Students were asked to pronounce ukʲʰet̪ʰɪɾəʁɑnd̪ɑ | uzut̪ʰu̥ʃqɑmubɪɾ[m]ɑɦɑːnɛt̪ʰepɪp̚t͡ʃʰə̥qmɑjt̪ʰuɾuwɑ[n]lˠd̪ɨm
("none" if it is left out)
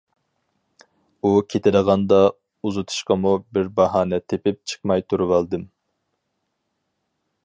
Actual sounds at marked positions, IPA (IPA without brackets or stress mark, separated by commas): b, none